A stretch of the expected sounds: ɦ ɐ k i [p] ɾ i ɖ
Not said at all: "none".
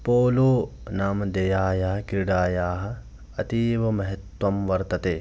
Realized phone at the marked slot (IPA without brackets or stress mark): none